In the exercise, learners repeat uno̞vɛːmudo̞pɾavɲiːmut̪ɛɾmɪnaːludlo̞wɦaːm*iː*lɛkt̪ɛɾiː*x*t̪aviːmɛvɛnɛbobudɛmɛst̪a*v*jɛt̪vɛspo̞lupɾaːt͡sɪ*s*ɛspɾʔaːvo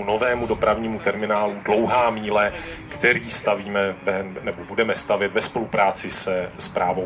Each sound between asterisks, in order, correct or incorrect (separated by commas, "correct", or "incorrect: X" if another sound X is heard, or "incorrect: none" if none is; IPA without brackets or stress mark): correct, incorrect: s, correct, correct